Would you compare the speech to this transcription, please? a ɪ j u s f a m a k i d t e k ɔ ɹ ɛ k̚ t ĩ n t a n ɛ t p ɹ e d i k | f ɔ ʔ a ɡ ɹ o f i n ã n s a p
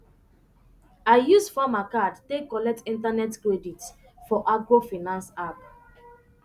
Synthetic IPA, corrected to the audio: a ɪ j u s f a m a k a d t e k ɔ l ɛ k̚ t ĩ n t a n ɛ t k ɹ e d i t | f ɔ ʔ a ɡ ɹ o f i n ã n s a p